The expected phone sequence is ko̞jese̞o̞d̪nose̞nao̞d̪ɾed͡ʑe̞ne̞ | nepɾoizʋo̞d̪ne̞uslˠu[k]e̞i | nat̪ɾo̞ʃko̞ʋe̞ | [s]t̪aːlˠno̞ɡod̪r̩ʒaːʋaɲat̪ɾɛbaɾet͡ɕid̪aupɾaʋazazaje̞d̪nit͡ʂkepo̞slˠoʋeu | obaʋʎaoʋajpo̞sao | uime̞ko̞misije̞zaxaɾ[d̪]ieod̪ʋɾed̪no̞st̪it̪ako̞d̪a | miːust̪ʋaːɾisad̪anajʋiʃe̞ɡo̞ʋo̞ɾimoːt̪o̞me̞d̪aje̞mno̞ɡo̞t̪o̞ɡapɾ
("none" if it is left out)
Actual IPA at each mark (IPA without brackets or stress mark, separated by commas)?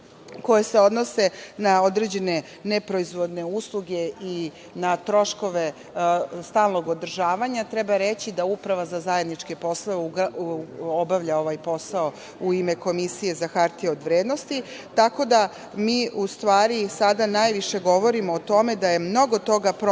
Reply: ɡ, s, t̪